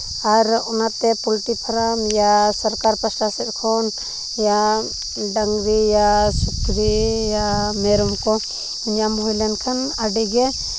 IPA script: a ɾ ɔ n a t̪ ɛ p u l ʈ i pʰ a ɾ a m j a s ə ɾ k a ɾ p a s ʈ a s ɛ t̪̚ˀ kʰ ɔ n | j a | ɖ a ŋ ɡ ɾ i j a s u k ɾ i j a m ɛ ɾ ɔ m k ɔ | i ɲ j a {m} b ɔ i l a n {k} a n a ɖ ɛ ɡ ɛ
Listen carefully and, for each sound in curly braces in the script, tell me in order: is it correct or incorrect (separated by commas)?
correct, incorrect